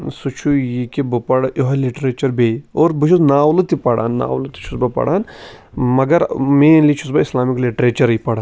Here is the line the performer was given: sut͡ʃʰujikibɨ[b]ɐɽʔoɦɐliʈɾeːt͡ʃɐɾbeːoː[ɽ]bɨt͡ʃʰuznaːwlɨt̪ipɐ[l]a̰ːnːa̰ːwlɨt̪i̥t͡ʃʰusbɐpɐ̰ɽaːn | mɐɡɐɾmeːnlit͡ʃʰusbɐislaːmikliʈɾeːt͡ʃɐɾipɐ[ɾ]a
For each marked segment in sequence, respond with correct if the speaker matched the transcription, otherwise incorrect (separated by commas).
incorrect, incorrect, incorrect, incorrect